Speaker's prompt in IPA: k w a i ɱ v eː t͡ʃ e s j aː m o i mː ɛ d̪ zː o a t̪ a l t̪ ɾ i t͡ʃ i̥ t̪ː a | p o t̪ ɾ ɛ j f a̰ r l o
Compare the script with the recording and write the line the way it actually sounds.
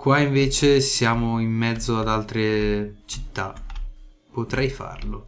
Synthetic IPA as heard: k w a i ɱ v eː t͡ʃ e s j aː m o i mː ɛ d̪ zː o a d̪ a l t̪ ɾ e t͡ʃ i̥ t̪ː a | p o t̪ ɾ ɛ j f a̰ r l o